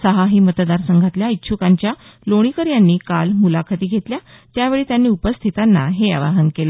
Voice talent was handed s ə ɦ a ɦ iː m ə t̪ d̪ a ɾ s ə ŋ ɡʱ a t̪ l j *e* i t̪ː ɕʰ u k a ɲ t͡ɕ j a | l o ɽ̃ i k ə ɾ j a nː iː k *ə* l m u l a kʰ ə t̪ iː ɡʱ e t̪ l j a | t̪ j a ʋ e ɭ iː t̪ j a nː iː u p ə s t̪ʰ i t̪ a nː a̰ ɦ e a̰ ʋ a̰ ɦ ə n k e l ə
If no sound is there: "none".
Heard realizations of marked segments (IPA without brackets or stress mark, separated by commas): a, a